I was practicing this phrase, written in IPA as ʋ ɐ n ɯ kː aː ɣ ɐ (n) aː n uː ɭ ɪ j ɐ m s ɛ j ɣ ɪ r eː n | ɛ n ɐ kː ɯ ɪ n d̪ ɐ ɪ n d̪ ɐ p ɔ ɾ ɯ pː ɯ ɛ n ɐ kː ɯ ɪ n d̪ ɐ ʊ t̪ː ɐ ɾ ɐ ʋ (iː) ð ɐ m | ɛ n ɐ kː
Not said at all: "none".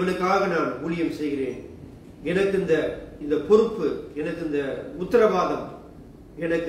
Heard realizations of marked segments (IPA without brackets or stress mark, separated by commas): n, aː